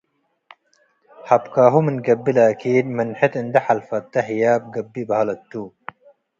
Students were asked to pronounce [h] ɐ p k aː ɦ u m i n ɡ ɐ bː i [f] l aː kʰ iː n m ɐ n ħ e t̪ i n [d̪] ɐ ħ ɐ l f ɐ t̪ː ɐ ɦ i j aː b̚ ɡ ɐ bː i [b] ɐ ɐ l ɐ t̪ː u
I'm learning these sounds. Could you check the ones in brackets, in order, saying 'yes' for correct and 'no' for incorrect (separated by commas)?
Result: yes, no, yes, yes